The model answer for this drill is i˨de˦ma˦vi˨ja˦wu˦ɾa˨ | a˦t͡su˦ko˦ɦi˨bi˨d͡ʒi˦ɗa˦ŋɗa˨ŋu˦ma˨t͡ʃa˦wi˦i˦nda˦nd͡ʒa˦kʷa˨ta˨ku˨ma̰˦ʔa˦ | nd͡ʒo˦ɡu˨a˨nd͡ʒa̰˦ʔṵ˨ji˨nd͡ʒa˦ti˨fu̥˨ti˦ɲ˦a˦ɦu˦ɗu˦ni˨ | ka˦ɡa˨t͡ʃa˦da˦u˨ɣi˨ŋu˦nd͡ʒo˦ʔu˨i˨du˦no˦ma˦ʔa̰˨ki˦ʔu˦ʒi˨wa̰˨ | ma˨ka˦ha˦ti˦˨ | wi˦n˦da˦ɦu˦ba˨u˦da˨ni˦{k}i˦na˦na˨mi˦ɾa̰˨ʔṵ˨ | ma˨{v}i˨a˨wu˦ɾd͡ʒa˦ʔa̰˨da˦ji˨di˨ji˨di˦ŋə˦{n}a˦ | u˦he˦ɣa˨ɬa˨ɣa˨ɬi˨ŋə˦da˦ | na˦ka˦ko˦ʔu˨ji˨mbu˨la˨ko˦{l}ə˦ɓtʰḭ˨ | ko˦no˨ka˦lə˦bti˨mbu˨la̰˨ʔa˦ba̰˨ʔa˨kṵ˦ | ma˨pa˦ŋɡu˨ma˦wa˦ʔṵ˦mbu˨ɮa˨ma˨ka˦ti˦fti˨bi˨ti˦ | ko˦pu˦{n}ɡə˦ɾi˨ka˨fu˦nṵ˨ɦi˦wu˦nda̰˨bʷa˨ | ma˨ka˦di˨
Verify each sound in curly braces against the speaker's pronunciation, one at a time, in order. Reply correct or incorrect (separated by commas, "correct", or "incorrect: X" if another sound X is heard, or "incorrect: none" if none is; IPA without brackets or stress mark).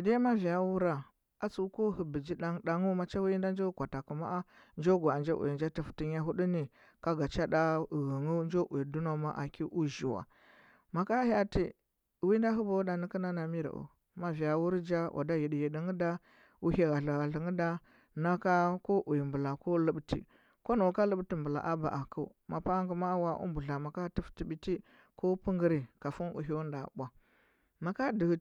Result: correct, correct, incorrect: d, correct, incorrect: ŋ